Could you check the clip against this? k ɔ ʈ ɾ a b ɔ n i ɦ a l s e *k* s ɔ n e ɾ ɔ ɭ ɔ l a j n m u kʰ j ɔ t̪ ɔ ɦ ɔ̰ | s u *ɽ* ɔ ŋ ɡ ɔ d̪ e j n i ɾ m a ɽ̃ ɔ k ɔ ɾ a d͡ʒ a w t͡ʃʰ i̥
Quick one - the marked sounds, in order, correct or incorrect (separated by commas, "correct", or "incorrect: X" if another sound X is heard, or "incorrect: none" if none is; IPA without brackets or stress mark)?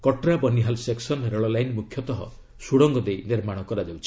correct, correct